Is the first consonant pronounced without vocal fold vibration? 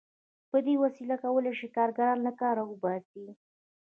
yes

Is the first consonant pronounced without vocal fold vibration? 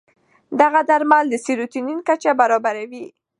no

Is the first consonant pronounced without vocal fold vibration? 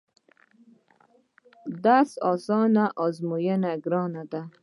no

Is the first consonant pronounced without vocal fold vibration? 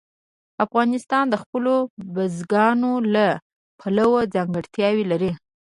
yes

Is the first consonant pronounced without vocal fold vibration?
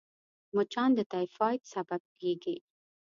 no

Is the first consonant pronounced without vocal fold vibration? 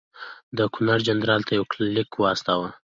no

